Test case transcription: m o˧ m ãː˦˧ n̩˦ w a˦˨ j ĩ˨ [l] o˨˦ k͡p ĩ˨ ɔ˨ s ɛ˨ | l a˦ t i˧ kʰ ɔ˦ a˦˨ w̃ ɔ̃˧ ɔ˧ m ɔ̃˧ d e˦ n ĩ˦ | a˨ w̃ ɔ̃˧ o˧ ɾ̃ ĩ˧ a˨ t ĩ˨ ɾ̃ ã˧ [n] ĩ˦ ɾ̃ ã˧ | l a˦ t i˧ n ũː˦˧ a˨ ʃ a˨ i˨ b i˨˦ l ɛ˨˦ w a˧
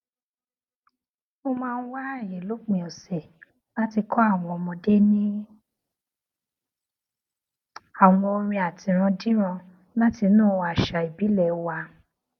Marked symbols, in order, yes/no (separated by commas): yes, no